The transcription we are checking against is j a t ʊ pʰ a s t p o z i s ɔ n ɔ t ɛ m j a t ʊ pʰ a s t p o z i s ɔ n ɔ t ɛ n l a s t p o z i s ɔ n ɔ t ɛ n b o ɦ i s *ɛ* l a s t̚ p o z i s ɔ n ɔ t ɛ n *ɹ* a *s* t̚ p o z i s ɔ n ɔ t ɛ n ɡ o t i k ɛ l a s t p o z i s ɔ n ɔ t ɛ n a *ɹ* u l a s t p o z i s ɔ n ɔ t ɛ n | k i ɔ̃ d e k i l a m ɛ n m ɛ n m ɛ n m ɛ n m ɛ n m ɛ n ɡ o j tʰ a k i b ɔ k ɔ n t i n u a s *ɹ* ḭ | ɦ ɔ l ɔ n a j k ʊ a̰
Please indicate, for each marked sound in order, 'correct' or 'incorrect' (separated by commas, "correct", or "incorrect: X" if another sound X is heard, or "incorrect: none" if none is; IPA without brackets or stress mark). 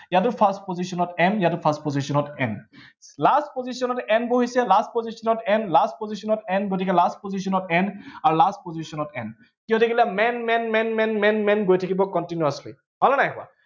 correct, incorrect: l, correct, correct, incorrect: l